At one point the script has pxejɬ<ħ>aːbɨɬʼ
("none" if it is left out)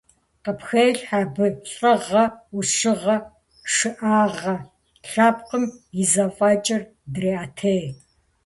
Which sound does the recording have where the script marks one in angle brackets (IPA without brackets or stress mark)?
ħ